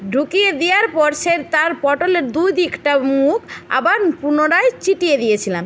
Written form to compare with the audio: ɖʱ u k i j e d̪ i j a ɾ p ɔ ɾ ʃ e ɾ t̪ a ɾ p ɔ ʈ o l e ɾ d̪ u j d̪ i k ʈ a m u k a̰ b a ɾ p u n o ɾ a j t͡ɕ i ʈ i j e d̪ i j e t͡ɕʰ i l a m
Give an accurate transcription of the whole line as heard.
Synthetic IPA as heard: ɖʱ u k i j e d̪ i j a ɾ p ɔ ɾ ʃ e ɾ t̪ a ɾ p ɔ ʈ o l e ɾ d̪ u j d̪ i k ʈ a m u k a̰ b a ɾ p u n o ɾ a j t͡ɕ i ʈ i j e d̪ i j e t͡ɕʰ i l a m